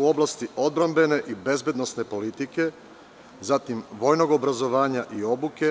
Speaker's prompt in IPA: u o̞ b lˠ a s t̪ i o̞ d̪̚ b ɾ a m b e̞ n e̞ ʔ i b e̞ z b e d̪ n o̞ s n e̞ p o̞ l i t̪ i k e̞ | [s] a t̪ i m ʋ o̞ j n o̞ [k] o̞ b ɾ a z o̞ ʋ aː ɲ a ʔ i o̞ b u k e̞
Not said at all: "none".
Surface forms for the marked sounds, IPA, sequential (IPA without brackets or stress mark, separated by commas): z, ɡ